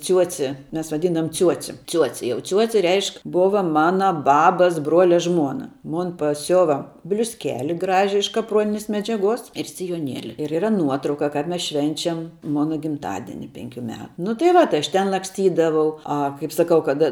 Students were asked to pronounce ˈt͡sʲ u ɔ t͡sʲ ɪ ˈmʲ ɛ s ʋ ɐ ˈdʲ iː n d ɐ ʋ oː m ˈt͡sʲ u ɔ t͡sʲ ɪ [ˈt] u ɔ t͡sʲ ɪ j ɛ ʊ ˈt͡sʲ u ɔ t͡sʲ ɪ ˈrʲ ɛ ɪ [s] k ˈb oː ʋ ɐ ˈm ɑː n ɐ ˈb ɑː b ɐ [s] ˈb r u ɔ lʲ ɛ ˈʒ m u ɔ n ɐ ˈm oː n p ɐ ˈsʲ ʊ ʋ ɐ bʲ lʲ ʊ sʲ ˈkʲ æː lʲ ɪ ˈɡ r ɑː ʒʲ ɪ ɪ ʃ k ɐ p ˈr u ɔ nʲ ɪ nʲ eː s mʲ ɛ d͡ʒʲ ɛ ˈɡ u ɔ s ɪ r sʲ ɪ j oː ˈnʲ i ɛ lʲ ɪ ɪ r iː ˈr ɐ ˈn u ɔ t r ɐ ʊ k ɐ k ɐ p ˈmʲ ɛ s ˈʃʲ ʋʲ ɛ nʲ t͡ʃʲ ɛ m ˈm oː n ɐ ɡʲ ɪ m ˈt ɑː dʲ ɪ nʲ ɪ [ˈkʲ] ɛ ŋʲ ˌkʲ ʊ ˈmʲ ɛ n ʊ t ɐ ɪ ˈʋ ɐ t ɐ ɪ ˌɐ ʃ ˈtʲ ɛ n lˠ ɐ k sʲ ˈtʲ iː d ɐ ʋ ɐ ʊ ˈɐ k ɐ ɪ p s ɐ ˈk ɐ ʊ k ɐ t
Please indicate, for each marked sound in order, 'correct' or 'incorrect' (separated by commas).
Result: incorrect, incorrect, correct, incorrect